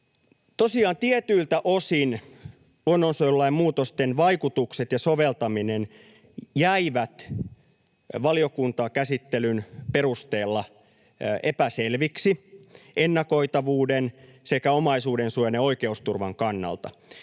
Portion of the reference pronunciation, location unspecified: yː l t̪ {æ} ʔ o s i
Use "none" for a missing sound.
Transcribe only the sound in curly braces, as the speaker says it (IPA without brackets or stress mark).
æ